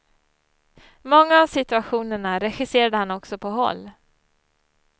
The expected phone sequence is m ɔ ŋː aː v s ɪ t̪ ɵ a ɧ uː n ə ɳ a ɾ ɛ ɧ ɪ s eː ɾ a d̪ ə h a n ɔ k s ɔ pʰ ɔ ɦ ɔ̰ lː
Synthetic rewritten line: m ɔ ŋː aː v s ɪ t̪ ɵ a ɧ uː n ə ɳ a ɾ ɛ ɧ ɪ s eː ɾ a d̪ ə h a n ɔ k s ɔ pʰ ɔ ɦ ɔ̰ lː

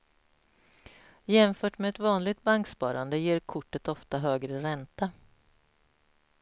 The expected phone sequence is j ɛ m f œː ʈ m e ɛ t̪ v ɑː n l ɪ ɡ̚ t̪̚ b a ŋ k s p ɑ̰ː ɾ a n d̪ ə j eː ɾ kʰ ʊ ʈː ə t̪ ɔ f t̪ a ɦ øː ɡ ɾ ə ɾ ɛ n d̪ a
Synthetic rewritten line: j ɛ m f œː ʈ m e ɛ t̪ v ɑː n l ɪ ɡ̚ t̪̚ b a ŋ k s p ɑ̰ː ɾ a n d̪ ə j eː ɾ kʰ ʊ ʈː ə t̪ ɔ f t̪ a ɦ øː ɡ ɾ ə ɾ ɛ n t̪ a

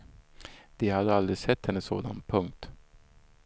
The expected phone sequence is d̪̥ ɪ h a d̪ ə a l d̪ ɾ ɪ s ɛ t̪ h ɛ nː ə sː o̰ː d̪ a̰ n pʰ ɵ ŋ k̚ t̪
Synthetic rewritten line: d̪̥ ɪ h a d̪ ə a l d̪ ɾ ɪ s ɛ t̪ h ɛ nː ə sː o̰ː d̪ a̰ n pʰ ɵ ŋ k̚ t̪

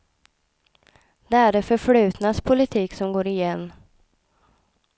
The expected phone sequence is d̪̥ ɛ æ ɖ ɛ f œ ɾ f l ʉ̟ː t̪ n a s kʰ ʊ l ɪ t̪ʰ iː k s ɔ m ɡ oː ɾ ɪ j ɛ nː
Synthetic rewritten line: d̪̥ ɛ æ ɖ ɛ f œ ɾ f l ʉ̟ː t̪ n a s pʰ ʊ l ɪ t̪ʰ iː k s ɔ m ɡ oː ɾ ɪ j ɛ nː

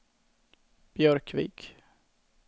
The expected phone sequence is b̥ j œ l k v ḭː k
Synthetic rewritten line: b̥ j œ ɾ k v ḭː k

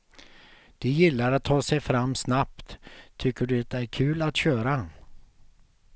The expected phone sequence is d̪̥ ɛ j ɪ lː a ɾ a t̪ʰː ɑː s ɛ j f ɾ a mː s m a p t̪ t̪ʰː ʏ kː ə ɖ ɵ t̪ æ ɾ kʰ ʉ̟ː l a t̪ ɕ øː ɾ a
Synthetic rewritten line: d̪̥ ɛ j ɪ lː a ɾ a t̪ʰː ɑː s ɛ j f ɾ a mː s n a p t̪ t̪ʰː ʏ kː ə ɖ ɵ t̪ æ ɾ kʰ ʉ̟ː l a t̪ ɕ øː ɾ a

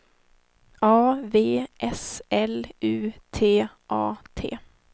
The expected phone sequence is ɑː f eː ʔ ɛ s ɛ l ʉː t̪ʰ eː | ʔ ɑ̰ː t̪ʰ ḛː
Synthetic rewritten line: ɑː v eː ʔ ɛ s ɛ l ʉː t̪ʰ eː | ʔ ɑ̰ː t̪ʰ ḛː

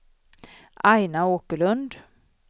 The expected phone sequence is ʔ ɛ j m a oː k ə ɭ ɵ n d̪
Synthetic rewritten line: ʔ a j n a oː k ə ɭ ɵ n d̪

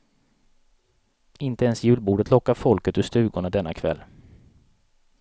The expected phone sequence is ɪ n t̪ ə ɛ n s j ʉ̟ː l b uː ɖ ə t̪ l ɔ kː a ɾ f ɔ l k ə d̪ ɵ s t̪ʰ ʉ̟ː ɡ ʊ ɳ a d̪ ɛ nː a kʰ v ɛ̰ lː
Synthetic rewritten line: ɪ n t̪ ə ɛ n s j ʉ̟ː l b uː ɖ ə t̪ l ɔ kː a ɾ f ɔ l k ə t̪ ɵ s t̪ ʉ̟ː ɡ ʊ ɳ a d̪ ɛ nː a kʰ v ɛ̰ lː

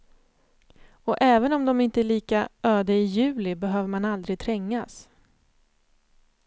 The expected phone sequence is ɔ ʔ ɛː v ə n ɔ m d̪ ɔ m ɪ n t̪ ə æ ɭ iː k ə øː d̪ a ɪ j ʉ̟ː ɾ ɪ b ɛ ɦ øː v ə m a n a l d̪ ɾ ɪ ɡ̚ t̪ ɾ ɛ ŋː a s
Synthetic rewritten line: ɔ ʔ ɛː v ə n ɔ m d̪ ɔ m ɪ n t̪ ə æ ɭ iː k a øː d̪ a ɪ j ʉ̟ː l ɪ b ɛ ɦ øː v ə m a n a l d̪ ɾ ɪ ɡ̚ t̪ʰ ɾ ɛ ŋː a s

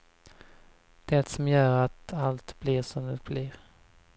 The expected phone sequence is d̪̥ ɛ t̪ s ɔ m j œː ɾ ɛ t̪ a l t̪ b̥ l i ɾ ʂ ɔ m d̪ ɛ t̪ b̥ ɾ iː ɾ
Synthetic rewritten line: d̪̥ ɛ t̪ s ɔ m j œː ɾ a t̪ a l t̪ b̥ l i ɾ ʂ ɔ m d̪ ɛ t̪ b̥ l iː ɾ

